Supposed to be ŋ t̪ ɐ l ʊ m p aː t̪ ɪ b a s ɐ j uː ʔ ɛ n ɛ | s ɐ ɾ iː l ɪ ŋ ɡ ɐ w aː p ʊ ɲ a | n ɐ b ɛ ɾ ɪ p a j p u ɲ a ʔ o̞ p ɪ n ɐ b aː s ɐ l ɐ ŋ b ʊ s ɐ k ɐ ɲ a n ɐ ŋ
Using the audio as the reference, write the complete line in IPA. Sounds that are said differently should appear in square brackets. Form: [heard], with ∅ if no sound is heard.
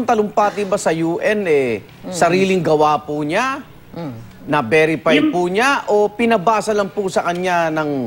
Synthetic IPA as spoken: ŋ t̪ ɐ l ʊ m p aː t̪ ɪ b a s ɐ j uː ʔ ɛ n ɛ | s ɐ ɾ iː l ɪ ŋ ɡ ɐ w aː p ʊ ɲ a | n ɐ b ɛ ɾ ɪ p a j p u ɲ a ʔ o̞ p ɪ n ɐ b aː s ɐ l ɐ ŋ [p] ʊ s ɐ k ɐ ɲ a n ɐ ŋ